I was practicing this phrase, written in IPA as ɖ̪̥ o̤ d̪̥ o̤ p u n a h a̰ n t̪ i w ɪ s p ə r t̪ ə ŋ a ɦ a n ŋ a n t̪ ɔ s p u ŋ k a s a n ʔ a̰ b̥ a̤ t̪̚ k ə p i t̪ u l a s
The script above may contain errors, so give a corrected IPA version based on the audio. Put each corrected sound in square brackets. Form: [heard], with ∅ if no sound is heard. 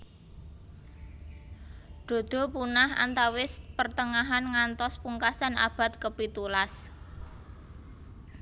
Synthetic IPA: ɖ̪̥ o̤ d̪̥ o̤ p u n a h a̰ n t̪ [a] w ɪ s p ə r t̪ ə ŋ a ɦ a n ŋ a n t̪ ɔ s p u ŋ k a s a n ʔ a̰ b̥ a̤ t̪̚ k ə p i t̪ u l a s